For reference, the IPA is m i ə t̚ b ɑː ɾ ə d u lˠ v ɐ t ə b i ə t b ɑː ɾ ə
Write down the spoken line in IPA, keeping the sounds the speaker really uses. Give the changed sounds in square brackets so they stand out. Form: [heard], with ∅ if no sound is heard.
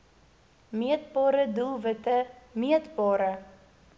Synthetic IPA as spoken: m i ə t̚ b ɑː ɾ ə d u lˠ v [ə] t ə [m] i ə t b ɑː ɾ ə